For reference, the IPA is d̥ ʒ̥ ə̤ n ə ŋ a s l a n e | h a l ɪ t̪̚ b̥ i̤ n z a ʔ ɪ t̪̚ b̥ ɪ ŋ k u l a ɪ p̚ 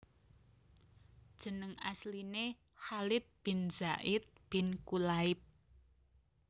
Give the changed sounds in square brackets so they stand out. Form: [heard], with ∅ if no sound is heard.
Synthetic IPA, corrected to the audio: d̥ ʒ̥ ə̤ n ə ŋ a s l [i] n e | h a l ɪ t̪̚ b̥ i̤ n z a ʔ ɪ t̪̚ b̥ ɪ [n] k u l a ɪ p̚